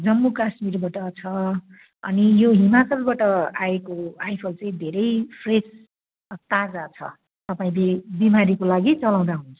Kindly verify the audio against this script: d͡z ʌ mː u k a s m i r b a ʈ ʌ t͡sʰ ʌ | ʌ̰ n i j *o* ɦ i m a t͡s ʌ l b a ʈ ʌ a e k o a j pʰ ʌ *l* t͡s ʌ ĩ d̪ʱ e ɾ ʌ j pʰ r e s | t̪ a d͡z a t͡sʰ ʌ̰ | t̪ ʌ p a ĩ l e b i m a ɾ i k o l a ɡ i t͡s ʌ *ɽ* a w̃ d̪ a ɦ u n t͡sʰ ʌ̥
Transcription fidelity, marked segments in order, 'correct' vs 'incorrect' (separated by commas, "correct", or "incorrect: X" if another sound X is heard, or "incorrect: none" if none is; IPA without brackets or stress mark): correct, correct, incorrect: l